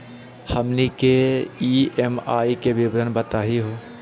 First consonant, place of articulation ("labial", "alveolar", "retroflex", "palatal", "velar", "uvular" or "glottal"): glottal